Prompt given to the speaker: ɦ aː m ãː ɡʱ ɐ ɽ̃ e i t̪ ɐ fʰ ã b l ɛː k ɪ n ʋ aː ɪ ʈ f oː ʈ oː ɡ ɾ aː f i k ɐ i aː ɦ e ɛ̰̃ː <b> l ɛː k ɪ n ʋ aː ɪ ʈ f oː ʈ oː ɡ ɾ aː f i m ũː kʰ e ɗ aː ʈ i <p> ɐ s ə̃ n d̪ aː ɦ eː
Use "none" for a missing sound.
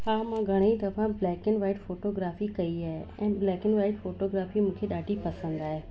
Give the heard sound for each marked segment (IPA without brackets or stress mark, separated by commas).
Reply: b, p